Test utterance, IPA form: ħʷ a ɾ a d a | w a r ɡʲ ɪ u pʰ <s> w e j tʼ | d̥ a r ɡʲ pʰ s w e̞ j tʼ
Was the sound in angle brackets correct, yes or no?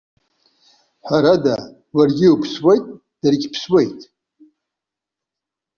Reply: yes